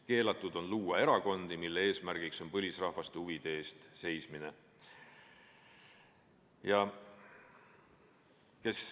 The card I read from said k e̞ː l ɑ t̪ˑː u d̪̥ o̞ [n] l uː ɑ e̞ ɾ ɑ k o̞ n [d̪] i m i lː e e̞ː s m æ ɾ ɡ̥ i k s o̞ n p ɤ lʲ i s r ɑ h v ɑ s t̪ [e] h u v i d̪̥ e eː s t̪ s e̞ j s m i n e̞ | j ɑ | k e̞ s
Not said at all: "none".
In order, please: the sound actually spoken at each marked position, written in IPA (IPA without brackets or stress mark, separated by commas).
n, d̪, e